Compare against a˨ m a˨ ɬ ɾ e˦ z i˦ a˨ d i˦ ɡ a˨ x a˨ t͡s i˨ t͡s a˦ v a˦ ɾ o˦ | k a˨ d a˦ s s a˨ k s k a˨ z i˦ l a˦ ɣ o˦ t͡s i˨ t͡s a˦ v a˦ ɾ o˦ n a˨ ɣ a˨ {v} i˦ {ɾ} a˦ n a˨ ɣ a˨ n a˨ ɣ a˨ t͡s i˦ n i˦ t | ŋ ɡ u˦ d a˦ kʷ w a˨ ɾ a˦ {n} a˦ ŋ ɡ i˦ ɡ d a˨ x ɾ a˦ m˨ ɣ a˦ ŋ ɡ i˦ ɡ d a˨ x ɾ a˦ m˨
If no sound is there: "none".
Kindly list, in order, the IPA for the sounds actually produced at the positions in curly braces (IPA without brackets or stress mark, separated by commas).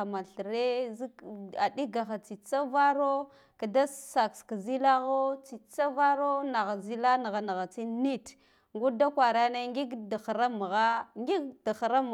z, l, n